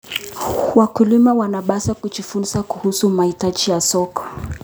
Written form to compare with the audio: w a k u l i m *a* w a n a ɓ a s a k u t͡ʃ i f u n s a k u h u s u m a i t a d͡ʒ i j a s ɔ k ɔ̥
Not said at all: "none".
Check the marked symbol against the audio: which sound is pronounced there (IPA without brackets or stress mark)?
a